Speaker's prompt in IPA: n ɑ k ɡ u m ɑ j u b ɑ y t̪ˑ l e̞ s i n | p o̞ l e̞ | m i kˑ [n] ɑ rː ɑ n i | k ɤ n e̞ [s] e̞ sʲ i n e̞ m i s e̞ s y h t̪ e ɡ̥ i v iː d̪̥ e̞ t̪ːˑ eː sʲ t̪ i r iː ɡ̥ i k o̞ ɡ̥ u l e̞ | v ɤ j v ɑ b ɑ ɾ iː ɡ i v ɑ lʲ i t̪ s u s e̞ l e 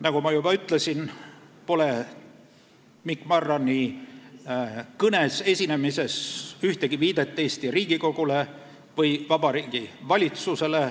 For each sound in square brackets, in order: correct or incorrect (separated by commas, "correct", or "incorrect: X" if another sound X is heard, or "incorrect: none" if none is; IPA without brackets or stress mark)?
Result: incorrect: m, correct